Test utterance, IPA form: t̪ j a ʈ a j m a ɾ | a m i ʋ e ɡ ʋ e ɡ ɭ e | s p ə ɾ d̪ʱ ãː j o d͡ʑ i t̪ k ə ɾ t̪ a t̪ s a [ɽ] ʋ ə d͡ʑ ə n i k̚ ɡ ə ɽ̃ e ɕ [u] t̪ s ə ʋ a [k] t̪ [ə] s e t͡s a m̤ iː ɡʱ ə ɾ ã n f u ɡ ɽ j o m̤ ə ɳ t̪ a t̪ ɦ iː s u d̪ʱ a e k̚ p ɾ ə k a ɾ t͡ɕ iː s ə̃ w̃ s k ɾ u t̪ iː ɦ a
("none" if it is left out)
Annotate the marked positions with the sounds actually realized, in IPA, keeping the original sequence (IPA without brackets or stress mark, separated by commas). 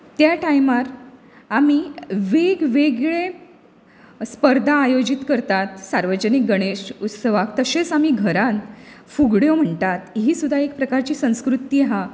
ɾ, u, k, ə